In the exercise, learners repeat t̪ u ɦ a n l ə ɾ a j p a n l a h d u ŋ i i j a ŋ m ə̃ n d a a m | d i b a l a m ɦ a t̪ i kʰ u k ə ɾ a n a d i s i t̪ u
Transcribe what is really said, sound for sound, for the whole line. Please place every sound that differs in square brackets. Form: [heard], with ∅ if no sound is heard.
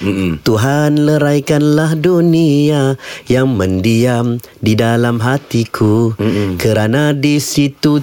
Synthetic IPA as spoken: t̪ u ɦ a n l ə ɾ a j [k] a n l a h d u [n] i [a] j a ŋ m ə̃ n d [i] a m | d i [d] a l a m ɦ a t̪ i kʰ u k ə ɾ a n a d i s i t̪ u